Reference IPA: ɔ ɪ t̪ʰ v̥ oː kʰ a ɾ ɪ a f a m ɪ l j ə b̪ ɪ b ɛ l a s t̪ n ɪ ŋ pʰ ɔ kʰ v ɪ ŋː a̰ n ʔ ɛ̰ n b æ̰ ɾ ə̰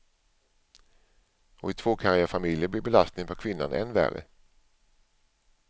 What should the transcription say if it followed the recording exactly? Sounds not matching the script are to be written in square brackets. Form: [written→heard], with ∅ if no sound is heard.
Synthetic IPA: ɔ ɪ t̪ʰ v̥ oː kʰ a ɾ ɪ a f a m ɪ l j ə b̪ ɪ b ɛ l a s t̪ n ɪ ŋ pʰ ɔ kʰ v ɪ [ŋː→nː] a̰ n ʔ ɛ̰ n [b→v] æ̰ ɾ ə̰

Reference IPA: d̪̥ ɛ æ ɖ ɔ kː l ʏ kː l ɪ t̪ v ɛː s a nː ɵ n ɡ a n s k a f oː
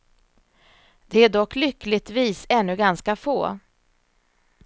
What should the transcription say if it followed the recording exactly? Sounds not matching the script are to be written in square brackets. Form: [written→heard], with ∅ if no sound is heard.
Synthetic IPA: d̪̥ ɛ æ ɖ ɔ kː l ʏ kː l ɪ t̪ v [ɛː→iː] s [a→ɛ] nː ɵ [n→∅] ɡ a n s k a f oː

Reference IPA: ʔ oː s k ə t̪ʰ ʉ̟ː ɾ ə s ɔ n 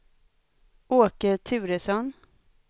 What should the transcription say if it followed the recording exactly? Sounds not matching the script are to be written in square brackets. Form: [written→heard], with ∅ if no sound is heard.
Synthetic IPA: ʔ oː [s→∅] k ə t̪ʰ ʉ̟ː ɾ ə s ɔ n

